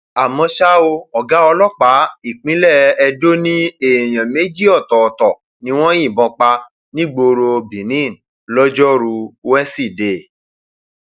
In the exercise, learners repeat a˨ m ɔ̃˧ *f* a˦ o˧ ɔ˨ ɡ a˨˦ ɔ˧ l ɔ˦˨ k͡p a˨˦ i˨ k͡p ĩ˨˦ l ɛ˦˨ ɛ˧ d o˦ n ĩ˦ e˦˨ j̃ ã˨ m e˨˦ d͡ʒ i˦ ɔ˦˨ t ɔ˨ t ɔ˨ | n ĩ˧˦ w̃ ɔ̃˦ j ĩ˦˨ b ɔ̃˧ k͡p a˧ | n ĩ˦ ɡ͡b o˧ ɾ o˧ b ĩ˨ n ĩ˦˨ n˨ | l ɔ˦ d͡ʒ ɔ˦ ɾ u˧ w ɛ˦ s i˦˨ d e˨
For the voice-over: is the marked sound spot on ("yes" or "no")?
no